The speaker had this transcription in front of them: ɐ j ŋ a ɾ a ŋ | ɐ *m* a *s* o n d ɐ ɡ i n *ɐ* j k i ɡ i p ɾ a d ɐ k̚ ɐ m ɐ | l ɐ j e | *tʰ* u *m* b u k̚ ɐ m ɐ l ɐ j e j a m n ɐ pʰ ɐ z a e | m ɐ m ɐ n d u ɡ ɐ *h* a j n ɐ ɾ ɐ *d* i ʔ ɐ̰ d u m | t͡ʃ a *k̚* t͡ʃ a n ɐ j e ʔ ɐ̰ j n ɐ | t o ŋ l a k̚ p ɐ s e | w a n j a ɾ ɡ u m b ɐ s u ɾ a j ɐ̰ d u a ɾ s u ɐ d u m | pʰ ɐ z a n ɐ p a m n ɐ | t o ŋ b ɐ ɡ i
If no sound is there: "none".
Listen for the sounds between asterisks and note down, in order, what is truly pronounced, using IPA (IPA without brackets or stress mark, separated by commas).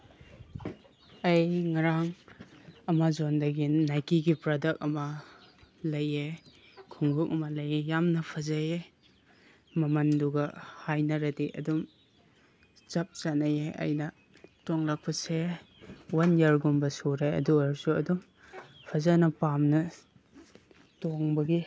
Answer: m, z, a, kʰ, ŋ, h, d, p̚